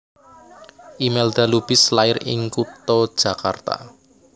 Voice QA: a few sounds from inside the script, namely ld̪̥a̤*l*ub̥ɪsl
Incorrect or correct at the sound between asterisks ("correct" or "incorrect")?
correct